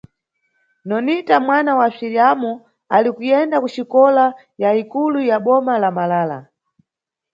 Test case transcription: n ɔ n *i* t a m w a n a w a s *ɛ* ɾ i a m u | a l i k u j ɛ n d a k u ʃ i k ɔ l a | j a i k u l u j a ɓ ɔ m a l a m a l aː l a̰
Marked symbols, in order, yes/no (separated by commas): yes, no